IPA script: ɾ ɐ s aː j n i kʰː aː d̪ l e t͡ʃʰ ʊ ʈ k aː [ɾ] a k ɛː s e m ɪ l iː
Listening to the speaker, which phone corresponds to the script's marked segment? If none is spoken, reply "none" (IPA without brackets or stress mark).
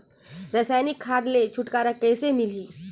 ɾ